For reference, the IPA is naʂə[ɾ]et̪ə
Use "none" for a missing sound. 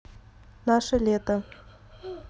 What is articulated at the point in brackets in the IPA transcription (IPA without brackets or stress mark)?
l